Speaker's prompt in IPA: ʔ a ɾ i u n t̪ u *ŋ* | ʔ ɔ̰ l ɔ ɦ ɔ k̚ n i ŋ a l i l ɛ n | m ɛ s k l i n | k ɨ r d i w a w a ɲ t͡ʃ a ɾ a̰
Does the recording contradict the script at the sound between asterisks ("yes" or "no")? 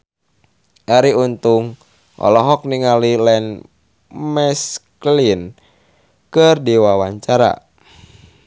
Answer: no